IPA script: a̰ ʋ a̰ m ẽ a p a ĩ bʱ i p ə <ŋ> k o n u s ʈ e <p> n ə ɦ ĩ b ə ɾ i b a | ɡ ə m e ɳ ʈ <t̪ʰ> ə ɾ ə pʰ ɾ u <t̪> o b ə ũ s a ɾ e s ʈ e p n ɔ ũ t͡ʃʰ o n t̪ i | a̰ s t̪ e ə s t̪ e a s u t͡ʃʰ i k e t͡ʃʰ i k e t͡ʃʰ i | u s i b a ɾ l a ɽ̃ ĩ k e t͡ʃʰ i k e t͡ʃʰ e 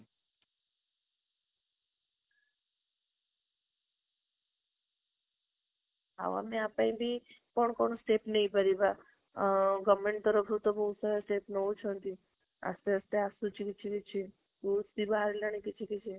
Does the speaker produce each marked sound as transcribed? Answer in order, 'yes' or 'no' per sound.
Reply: no, yes, no, yes

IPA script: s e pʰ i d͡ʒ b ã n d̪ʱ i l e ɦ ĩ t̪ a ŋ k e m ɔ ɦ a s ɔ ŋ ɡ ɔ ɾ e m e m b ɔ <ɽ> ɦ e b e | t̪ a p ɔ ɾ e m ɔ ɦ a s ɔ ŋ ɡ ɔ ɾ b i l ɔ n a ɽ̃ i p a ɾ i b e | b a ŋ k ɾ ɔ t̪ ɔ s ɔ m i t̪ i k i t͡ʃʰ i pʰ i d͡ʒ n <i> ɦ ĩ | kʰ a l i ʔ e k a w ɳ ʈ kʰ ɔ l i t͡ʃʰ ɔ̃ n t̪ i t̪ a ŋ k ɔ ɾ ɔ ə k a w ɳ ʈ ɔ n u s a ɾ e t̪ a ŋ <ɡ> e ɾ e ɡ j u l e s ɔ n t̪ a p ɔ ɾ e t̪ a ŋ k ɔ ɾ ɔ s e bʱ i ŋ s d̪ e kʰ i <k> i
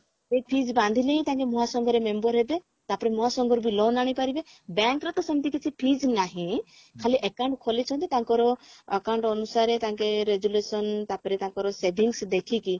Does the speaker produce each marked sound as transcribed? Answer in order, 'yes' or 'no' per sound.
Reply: no, no, no, yes

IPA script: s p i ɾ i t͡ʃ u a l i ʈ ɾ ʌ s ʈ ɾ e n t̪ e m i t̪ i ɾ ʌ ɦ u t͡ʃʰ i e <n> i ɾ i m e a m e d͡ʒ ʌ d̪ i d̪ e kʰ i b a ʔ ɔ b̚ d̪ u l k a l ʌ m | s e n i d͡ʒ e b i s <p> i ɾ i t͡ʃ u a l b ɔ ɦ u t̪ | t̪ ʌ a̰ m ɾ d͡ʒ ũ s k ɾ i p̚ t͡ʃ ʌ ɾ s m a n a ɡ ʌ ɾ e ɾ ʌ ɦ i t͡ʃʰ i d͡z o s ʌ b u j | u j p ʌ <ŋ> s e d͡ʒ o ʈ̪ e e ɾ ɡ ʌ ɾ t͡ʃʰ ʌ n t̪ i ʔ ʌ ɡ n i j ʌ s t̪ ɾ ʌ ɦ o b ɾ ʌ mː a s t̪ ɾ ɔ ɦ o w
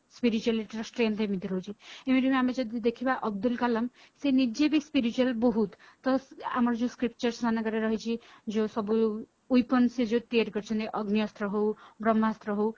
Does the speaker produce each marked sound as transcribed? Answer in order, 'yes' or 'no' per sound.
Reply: no, yes, no

